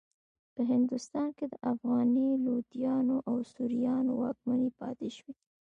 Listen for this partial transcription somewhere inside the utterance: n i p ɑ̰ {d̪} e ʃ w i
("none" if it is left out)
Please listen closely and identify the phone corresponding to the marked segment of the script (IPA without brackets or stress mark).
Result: t̪